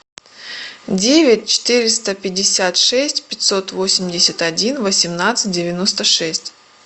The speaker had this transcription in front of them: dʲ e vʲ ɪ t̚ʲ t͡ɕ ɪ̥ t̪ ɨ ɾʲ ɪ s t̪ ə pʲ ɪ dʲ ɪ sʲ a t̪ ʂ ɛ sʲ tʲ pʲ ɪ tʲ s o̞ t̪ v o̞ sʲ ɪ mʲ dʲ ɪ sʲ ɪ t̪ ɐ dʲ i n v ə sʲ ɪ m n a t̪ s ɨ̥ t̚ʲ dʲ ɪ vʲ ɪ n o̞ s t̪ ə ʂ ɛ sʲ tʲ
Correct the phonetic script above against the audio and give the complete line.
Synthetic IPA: dʲ e vʲ ɪ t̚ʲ t͡ɕ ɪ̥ t̪ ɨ ɾʲ ɪ s t̪ ə pʲ ɪ dʲ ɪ sʲ a t̪ ʂ ɛ sʲ tʲ pʲ ɪ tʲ s o̞ t̪ v o̞ sʲ ɪ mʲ dʲ ɪ sʲ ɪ t̪ ɐ dʲ i n v ə sʲ ɪ m n a t̪ s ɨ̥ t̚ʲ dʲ ɪ vʲ ɪ n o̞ s t̪ ə ʂ ɛ sʲ tʲ